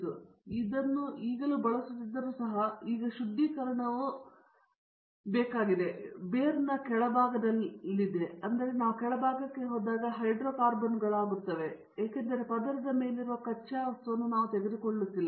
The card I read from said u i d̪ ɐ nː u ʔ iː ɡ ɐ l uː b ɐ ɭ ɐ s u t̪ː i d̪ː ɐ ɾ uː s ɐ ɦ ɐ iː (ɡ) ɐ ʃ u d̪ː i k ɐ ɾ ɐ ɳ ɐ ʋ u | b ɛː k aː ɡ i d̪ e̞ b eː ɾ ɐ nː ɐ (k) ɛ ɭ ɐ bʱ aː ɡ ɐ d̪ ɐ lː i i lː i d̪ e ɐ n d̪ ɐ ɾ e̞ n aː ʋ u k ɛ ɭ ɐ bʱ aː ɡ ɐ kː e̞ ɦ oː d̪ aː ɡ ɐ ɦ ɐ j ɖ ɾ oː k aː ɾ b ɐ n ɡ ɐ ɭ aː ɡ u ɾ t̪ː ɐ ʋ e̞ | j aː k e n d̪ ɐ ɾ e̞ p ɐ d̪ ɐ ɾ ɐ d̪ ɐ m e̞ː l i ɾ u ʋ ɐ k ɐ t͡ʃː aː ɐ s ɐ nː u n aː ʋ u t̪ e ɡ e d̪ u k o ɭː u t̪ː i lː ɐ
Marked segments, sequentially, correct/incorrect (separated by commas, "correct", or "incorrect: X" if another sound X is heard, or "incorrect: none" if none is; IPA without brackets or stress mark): correct, correct